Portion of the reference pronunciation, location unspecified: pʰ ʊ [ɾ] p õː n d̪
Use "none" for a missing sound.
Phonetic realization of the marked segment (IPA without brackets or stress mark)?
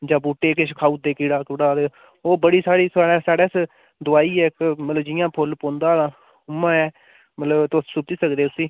l